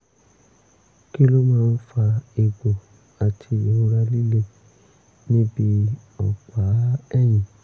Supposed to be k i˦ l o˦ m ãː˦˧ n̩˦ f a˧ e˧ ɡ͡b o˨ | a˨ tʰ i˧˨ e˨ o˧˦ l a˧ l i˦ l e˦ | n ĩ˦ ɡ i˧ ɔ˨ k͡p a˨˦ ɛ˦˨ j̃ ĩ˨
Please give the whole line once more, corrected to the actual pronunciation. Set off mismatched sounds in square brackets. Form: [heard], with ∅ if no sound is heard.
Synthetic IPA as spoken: k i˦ l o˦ m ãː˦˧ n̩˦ f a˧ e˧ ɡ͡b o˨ | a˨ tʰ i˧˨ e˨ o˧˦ [ɾ] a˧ l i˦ l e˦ | n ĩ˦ [b] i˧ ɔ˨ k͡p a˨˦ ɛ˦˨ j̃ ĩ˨